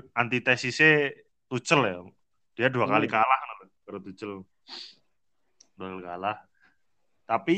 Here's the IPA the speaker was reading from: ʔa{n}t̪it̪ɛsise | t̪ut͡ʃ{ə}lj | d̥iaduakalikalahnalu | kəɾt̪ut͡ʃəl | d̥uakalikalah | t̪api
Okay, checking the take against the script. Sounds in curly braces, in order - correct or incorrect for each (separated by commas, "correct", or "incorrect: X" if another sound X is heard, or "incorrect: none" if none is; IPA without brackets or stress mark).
correct, correct